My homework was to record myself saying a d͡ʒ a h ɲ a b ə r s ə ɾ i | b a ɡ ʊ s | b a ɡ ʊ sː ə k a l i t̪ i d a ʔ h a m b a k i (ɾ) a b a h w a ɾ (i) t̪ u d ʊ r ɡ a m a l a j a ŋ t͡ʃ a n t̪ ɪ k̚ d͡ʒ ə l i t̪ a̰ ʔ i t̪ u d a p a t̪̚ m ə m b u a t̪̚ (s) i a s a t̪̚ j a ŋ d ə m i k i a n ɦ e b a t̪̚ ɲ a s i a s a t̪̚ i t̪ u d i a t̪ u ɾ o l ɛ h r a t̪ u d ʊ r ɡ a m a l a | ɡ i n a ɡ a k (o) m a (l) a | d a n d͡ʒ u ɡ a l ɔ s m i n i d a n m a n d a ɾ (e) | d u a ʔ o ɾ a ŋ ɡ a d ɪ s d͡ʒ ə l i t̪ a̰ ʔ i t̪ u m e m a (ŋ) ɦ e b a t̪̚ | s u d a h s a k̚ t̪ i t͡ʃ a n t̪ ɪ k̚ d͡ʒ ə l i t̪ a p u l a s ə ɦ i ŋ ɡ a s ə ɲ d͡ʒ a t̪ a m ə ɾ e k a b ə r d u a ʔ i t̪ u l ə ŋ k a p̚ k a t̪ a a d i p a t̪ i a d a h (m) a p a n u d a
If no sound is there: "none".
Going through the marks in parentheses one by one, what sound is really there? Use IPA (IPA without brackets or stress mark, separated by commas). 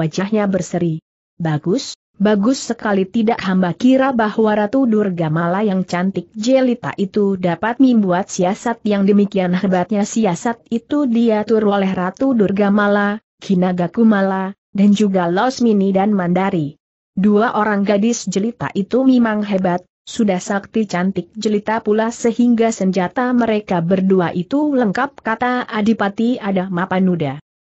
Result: ɾ, a, s, u, l, i, ŋ, m